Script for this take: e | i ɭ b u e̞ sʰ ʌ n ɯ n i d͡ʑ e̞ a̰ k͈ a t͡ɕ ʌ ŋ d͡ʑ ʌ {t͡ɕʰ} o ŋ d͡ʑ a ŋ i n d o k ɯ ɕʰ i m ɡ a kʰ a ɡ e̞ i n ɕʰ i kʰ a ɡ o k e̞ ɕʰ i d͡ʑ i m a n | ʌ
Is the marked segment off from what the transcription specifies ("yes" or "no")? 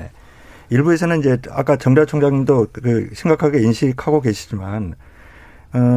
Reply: no